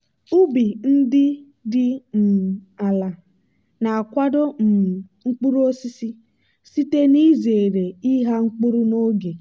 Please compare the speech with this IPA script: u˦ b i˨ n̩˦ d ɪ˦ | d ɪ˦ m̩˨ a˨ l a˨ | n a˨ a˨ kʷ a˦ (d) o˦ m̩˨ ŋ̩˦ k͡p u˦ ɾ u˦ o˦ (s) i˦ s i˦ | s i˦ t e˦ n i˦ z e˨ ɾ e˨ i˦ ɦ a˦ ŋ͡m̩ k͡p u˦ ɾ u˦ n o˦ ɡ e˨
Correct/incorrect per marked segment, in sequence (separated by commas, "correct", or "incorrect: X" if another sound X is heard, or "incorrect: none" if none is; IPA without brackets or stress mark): correct, correct